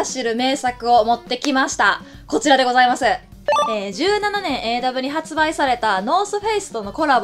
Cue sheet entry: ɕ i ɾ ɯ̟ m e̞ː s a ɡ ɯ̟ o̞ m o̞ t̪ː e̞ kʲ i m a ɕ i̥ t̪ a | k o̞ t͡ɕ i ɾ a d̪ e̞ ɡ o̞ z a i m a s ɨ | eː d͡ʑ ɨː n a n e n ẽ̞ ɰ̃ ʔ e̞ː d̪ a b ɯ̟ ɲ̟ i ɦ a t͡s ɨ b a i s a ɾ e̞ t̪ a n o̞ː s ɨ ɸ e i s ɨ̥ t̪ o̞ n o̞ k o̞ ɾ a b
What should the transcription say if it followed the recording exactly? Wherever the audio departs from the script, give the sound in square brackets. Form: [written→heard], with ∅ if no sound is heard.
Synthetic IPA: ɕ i ɾ ɯ̟ m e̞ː s a [ɡ→k] ɯ̟ o̞ m o̞ t̪ː e̞ kʲ i m a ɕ i̥ t̪ a | k o̞ t͡ɕ i ɾ a d̪ e̞ ɡ o̞ z a i m a s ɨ | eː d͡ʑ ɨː n a n [e→a] n ẽ̞ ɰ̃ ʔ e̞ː d̪ a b ɯ̟ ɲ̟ i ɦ a t͡s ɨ b a i s a ɾ e̞ t̪ a n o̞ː s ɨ ɸ e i s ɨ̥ t̪ o̞ n o̞ k o̞ ɾ a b